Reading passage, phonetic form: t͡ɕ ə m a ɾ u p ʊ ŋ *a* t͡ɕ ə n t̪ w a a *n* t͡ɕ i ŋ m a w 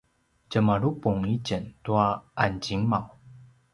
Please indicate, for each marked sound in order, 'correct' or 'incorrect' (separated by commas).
incorrect, correct